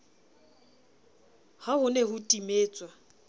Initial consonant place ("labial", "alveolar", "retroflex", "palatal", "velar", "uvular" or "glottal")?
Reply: glottal